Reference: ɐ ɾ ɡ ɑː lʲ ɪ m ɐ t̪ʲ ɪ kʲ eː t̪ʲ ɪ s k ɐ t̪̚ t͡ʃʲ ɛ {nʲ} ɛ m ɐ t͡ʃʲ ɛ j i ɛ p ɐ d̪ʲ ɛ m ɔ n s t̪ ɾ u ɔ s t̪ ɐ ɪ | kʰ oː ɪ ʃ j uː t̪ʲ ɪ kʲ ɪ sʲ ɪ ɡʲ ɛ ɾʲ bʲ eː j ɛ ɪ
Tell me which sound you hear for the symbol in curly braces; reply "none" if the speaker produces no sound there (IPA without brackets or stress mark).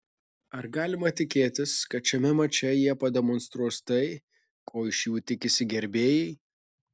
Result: mʲ